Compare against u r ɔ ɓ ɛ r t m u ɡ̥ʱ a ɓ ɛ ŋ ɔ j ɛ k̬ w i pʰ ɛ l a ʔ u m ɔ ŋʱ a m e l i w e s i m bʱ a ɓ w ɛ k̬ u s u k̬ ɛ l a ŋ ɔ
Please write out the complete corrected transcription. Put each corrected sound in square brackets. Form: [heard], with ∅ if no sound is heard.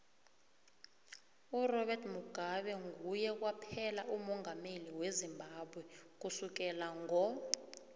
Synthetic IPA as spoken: u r ɔ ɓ ɛ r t m u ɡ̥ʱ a ɓ ɛ ŋ [u] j ɛ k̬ w [a] pʰ ɛ l a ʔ u m ɔ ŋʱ a m e l i w e [z] i m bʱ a ɓ w ɛ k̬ u s u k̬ ɛ l a ŋ ɔ